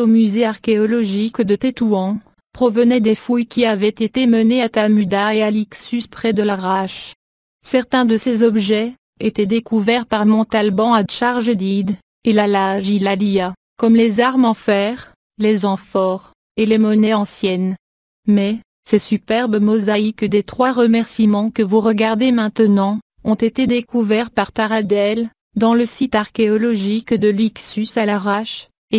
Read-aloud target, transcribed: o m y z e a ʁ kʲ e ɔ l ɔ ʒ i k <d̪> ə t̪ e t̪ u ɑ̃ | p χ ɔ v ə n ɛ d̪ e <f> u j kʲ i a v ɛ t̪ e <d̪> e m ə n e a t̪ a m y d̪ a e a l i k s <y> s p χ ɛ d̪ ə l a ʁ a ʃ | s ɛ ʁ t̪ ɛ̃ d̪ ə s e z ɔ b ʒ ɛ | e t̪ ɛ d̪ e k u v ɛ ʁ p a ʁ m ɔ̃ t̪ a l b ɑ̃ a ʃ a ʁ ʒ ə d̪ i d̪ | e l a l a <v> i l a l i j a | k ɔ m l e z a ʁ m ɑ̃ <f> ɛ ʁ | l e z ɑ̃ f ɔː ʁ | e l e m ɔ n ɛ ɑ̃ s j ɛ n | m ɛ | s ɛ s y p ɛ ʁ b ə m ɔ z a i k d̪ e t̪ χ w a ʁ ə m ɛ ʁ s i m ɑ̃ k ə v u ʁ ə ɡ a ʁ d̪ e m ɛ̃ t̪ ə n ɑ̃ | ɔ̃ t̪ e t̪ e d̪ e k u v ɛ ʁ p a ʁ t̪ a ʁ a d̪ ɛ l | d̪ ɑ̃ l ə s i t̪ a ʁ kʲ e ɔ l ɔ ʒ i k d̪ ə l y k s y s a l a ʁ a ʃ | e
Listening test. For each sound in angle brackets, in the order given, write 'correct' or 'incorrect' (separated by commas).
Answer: correct, correct, incorrect, correct, incorrect, correct